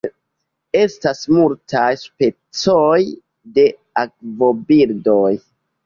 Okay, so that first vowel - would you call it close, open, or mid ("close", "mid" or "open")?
mid